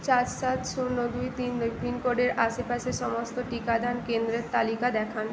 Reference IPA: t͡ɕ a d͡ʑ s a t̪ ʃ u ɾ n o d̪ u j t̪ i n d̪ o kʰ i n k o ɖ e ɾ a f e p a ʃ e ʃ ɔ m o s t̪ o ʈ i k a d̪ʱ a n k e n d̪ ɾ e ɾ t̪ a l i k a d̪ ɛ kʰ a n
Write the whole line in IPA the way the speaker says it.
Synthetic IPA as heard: t͡ɕ a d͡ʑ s a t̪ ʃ u ɾ n o d̪ u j t̪ i n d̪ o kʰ i n k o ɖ e ɾ a ʃ e p a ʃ e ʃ ɔ m o s t̪ o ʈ i k a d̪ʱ a n k e n d̪ ɾ e ɾ t̪ a l i k a d̪ ɛ kʰ a n